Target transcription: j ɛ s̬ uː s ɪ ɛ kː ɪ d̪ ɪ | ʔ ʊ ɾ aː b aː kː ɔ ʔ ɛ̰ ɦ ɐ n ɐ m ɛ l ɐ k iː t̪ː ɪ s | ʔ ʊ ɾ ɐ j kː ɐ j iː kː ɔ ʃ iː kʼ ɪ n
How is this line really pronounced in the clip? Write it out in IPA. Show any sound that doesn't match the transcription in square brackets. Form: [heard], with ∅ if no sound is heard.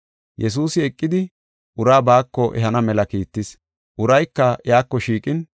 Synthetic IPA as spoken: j ɛ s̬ uː s ɪ ɛ [kʼː] ɪ d̪ ɪ | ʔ ʊ ɾ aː b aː kː ɔ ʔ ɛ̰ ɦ ɐ n ɐ m ɛ l ɐ k iː t̪ː ɪ s | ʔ ʊ ɾ ɐ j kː ɐ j [aː] kː ɔ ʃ iː kʼ ɪ n